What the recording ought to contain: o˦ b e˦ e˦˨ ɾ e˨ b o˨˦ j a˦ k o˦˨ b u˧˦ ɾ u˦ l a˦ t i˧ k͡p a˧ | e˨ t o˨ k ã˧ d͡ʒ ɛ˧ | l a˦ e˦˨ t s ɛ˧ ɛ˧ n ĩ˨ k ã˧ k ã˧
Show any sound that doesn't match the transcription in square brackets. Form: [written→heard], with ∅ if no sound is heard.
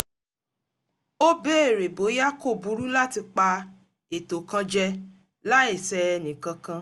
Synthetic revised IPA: o˦ b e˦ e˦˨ ɾ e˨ b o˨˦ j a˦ k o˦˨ b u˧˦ ɾ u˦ l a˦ t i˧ k͡p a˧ | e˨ t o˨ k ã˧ d͡ʒ ɛ˧ | l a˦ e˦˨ [t→∅] s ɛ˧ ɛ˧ n ĩ˨ k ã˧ k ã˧